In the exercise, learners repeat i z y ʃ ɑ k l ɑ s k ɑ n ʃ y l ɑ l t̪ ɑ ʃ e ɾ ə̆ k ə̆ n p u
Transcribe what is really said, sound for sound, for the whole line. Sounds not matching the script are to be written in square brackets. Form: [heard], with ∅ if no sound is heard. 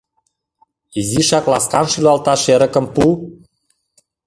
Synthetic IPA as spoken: i z [i] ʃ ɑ k l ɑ s k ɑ n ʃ y l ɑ l t̪ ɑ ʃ e ɾ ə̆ k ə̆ [m] p u